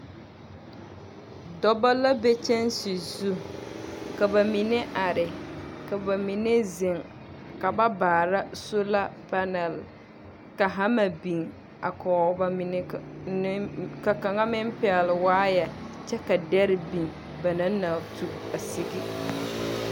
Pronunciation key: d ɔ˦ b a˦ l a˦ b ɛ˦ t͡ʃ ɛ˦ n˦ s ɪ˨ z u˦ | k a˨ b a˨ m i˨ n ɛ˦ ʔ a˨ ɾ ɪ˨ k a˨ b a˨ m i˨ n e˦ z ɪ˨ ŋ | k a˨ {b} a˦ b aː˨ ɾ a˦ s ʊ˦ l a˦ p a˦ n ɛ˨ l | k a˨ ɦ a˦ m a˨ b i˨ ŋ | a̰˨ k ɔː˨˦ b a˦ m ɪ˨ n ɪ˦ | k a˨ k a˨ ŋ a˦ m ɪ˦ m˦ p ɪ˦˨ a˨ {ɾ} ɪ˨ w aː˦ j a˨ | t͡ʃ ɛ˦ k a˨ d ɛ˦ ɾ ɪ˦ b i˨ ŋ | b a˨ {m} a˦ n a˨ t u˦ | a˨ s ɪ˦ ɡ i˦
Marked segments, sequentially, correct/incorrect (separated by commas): correct, incorrect, incorrect